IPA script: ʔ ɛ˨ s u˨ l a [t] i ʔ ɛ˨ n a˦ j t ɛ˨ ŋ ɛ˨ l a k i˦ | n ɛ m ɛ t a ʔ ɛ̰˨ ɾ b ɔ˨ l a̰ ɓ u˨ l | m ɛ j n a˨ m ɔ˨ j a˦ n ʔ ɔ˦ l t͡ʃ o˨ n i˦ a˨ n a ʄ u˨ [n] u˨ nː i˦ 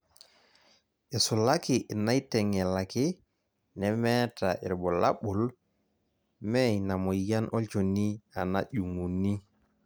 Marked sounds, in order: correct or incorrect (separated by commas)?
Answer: incorrect, incorrect